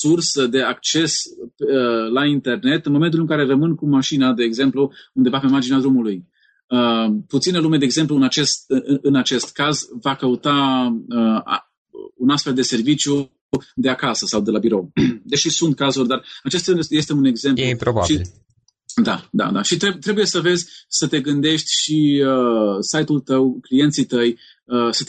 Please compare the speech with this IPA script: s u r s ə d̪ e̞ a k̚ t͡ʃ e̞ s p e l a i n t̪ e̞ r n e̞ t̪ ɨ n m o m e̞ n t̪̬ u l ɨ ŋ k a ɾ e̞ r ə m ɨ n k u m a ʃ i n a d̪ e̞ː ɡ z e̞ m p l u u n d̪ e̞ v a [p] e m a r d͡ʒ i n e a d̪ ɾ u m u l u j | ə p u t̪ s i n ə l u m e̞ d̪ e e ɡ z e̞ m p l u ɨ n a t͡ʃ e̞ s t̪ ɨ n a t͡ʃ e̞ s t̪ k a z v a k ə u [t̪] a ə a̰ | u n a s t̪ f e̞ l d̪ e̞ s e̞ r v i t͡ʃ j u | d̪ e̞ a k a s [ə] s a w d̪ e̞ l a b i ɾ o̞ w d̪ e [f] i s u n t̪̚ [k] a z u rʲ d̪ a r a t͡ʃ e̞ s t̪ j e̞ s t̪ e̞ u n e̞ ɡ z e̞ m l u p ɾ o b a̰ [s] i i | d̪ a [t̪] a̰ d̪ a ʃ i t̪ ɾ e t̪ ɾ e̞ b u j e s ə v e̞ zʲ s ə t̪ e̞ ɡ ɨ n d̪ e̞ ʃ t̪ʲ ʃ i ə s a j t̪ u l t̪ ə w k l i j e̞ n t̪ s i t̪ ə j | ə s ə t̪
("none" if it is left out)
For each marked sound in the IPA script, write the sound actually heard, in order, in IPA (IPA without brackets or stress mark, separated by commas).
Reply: p, t̪, ə, ʃ, k, ʃ, d̪